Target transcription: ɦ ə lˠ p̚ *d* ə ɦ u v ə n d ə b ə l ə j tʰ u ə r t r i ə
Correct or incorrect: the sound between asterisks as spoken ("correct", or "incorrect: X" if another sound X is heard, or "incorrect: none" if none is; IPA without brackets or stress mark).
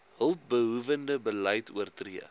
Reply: incorrect: b